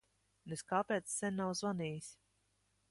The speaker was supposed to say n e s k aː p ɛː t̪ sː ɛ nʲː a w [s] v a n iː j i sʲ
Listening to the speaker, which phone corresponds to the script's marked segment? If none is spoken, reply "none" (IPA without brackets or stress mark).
z